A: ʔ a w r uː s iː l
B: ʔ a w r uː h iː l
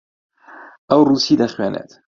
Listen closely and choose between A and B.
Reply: A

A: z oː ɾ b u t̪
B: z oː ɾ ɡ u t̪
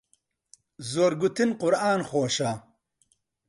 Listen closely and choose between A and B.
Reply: B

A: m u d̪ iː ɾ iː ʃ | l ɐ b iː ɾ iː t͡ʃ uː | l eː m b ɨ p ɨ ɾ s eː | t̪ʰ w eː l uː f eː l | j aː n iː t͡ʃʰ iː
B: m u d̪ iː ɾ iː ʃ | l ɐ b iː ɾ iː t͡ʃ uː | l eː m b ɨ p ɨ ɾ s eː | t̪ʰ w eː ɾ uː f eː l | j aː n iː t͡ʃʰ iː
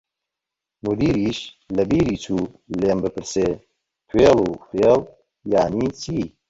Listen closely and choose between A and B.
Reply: A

